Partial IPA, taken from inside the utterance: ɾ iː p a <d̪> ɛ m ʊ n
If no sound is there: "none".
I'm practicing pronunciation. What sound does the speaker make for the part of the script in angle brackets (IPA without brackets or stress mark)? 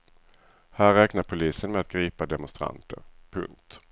d̪